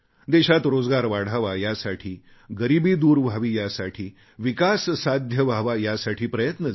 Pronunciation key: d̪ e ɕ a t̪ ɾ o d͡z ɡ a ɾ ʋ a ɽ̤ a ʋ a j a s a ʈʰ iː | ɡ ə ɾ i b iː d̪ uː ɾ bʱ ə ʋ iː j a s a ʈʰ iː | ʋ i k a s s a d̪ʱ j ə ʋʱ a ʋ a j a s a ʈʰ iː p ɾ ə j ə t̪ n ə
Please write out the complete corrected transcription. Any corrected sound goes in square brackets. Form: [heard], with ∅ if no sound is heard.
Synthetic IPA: d̪ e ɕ a t̪ ɾ o d͡z ɡ a ɾ ʋ a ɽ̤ a ʋ a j a s a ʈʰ iː | ɡ ə ɾ i b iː d̪ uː ɾ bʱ [a] ʋ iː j a s a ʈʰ iː | ʋ i k a s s a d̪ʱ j ə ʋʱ a ʋ a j a s a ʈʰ iː p ɾ ə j ə t̪ n ə